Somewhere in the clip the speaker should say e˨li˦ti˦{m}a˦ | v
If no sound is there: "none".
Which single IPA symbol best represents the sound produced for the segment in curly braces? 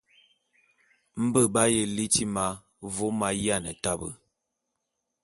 m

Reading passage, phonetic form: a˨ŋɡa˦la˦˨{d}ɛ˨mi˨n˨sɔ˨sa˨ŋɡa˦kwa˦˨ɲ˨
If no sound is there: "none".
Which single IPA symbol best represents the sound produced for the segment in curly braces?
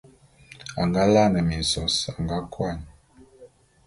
n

